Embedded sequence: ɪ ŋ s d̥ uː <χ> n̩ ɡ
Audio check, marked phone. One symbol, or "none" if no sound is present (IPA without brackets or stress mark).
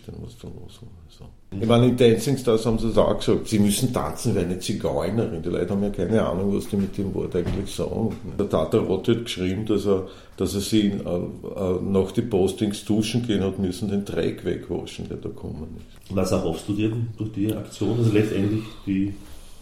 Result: ʃ